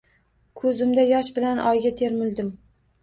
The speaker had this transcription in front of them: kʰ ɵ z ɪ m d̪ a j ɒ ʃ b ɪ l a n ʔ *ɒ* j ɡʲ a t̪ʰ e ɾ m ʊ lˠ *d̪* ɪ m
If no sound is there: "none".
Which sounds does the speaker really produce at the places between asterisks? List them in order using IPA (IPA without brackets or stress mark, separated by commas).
ɒ, d̪